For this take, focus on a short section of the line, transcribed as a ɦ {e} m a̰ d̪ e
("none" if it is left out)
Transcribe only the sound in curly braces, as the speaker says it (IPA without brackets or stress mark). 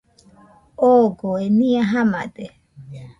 a